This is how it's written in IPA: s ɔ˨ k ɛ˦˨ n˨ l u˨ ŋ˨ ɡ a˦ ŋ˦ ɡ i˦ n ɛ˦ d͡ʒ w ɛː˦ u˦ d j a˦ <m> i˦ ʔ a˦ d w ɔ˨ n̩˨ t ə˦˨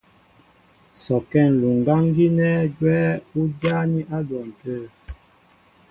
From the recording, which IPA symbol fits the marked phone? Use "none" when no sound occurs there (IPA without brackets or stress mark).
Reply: n